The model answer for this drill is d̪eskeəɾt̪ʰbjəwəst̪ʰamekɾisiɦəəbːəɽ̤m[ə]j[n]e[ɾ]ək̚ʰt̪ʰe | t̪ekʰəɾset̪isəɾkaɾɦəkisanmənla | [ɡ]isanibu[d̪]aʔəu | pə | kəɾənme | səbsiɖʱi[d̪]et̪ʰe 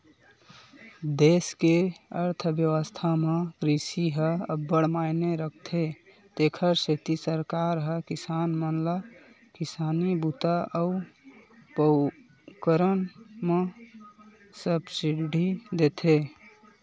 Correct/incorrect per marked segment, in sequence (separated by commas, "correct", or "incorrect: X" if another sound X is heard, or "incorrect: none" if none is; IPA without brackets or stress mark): incorrect: a, correct, correct, incorrect: k, incorrect: t̪, correct